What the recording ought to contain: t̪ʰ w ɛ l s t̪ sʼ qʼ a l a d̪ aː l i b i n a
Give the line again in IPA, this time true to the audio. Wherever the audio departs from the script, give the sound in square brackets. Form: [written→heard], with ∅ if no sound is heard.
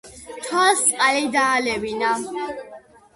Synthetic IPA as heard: t̪ʰ w [ɛ→a] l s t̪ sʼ qʼ a l [a→i] d̪ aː l [i→ɛ] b i n a